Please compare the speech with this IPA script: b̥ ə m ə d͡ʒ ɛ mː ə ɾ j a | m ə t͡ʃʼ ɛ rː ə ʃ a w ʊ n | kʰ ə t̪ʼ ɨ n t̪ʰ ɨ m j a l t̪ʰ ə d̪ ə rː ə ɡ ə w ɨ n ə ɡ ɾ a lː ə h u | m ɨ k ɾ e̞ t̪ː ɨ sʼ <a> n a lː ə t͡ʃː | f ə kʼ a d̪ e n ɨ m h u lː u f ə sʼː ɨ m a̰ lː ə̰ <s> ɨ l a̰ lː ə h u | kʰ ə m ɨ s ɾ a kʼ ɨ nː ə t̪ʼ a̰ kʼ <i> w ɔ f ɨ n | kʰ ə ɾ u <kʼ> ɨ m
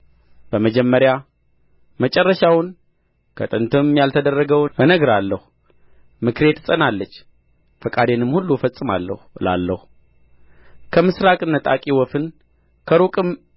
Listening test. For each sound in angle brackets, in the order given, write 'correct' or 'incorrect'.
incorrect: ə, incorrect: h, correct, correct

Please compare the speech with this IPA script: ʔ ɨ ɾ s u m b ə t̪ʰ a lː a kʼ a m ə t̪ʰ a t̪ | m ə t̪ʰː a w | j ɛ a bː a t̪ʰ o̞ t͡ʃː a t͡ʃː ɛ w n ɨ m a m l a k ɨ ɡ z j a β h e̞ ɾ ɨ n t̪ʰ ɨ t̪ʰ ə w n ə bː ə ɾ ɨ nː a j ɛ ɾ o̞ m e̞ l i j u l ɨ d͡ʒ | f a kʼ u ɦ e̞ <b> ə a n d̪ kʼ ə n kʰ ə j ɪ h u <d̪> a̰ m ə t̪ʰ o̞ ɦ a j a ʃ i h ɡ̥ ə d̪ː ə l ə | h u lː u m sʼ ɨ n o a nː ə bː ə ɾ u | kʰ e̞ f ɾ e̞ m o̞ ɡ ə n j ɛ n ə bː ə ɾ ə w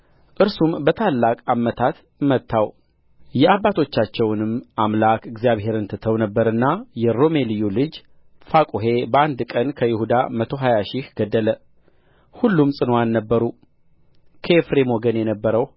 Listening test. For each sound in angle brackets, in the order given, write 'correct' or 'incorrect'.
correct, correct

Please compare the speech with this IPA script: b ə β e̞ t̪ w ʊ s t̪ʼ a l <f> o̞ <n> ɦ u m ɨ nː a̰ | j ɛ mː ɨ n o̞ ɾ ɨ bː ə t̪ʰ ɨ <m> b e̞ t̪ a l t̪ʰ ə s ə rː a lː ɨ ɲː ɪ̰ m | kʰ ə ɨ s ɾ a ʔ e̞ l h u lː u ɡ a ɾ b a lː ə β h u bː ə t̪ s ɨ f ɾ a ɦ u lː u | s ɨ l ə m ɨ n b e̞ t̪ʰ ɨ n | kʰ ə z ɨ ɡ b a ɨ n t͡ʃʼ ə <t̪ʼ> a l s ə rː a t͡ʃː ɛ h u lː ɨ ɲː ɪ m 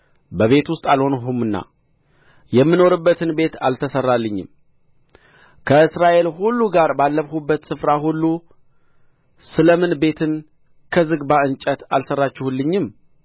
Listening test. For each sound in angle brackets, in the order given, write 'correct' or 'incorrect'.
incorrect: h, correct, incorrect: n, incorrect: t̪

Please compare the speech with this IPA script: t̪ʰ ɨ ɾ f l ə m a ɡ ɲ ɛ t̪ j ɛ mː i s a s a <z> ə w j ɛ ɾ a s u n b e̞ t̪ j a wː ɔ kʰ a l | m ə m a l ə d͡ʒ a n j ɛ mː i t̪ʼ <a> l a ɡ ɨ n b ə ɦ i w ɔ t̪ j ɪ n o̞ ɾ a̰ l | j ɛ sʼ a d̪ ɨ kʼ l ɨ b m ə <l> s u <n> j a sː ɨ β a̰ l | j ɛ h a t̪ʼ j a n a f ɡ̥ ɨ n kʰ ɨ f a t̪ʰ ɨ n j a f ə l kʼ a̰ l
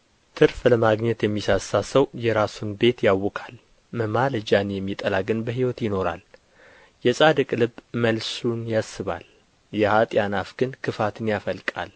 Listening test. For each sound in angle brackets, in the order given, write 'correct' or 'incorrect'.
incorrect: s, incorrect: ə, correct, correct

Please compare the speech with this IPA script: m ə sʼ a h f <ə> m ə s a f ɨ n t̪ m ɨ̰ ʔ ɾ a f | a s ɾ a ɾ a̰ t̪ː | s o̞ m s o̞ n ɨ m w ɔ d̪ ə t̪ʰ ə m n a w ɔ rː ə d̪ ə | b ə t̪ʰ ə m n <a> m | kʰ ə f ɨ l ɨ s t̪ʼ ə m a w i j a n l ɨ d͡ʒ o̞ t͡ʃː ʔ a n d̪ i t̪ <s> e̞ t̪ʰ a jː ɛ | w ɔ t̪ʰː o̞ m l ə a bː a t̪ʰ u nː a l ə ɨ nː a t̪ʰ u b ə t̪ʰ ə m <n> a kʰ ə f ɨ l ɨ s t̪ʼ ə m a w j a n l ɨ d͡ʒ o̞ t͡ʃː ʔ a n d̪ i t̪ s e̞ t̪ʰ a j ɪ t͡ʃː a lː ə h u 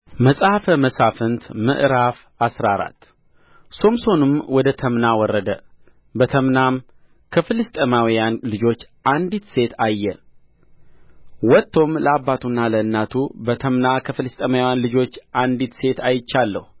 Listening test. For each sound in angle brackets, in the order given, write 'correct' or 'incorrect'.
correct, correct, correct, correct

